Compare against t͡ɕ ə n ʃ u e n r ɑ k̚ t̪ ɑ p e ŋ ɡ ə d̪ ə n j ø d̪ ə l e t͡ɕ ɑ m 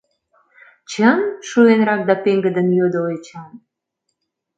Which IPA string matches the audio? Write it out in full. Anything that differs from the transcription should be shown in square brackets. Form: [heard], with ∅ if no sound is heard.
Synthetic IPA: t͡ɕ ə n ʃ u e n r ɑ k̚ [d̪] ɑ p e ŋ ɡ ə d̪ ə n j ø d̪ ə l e t͡ɕ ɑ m